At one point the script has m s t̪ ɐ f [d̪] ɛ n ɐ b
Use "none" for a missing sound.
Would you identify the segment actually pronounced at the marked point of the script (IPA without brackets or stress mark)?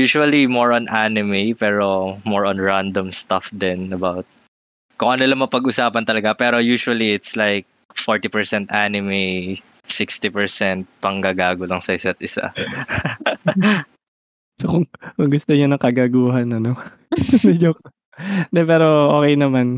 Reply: d̪